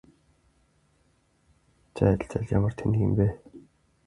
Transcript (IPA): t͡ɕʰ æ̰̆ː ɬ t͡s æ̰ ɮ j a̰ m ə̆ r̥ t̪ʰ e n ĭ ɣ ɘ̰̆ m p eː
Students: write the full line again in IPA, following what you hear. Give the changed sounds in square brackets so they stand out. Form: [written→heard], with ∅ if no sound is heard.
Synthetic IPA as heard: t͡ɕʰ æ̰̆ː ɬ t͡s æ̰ ɮ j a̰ m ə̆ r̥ t̪ʰ e n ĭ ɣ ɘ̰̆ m p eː